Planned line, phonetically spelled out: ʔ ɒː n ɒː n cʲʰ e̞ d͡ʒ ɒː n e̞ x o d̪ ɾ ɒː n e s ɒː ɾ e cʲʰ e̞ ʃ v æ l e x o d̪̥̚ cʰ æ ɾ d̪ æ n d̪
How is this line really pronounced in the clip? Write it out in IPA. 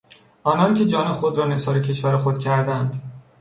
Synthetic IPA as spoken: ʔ ɒː n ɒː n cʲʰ e̞ d͡ʒ ɒː n e̞ x o d̪ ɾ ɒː n e s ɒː ɾ e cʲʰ e̞ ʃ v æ ɾ e x o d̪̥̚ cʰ æ ɾ d̪ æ n d̪

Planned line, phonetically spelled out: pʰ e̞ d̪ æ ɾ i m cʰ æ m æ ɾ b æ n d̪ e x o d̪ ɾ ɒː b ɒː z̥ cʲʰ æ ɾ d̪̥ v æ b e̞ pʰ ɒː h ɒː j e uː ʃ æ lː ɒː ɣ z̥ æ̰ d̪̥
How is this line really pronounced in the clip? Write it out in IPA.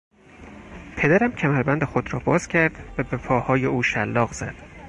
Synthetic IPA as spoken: pʰ e̞ d̪ æ ɾ æ m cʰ æ m æ ɾ b æ n d̪ e x o d̪ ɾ ɒː b ɒː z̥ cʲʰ æ ɾ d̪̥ v æ b e̞ pʰ ɒː h ɒː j e uː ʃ æ lː ɒː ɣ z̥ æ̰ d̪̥

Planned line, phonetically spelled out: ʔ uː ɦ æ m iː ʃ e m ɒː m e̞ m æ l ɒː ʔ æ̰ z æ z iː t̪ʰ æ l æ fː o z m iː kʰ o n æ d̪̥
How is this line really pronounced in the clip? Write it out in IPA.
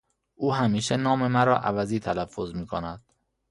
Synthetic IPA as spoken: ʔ uː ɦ æ m iː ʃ e n ɒː m e̞ m æ ɾ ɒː ʔ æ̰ v æ z iː t̪ʰ æ l æ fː o z m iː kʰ o n æ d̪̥

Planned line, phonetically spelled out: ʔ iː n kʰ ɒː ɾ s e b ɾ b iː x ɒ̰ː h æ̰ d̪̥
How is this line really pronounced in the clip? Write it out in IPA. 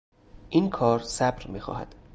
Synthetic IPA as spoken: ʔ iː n kʰ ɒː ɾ s æ b ɾ m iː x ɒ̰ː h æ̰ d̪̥

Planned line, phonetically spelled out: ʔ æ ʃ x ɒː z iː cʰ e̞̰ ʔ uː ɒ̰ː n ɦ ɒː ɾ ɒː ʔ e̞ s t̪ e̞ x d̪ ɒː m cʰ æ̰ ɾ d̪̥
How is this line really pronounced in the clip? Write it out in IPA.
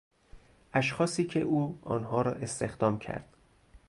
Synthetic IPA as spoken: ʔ æ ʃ x ɒː s iː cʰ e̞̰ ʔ uː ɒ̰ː n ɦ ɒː ɾ ɒː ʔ e̞ s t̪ e̞ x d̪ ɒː m cʰ æ̰ ɾ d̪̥

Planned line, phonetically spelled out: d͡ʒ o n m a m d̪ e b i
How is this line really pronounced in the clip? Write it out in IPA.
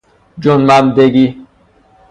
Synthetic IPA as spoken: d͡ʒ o n m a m d̪ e ɡ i

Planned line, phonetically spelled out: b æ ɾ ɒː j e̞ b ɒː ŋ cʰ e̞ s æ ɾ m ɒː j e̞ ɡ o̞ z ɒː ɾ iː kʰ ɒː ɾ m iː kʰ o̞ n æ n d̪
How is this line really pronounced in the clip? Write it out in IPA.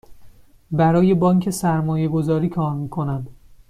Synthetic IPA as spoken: b æ ɾ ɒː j e̞ b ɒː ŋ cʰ e̞ s æ ɾ m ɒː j e̞ ɡ o̞ z ɒː ɾ iː kʰ ɒː ɾ m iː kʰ o̞ n æ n d̪

